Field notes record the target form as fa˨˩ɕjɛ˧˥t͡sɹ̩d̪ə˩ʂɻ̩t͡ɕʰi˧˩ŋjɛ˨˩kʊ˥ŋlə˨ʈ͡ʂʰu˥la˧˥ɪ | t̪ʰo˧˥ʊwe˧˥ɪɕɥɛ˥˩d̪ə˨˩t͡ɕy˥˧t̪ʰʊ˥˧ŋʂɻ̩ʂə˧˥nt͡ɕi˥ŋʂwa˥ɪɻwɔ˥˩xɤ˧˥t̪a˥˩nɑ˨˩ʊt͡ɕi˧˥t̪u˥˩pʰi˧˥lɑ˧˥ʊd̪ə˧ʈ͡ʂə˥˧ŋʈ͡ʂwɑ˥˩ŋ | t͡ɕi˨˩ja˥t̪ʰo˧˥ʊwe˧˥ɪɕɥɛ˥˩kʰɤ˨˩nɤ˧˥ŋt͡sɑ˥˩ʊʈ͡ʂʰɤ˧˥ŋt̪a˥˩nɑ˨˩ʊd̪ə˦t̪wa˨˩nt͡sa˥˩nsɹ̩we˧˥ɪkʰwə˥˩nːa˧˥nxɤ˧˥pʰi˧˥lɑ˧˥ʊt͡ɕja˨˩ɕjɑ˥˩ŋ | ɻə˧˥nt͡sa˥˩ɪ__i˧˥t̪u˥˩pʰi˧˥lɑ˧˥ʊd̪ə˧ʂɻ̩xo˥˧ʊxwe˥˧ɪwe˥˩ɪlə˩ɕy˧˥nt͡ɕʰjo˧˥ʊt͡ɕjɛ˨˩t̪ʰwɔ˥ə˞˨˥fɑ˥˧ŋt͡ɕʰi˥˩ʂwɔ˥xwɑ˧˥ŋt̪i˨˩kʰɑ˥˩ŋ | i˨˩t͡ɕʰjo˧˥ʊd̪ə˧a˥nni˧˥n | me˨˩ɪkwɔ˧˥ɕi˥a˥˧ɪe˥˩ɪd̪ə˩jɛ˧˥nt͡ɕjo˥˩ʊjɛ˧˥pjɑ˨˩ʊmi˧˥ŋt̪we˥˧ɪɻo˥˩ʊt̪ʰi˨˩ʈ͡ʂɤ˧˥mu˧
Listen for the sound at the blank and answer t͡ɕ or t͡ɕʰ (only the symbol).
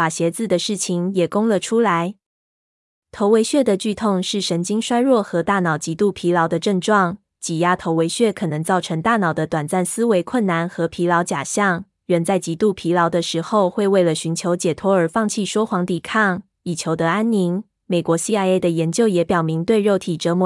t͡ɕ